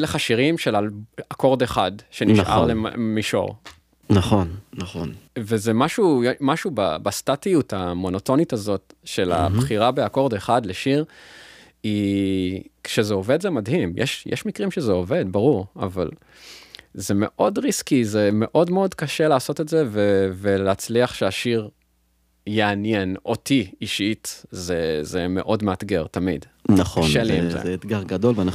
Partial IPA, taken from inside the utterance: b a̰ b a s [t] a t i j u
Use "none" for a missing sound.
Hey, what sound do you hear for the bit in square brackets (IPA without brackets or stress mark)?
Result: t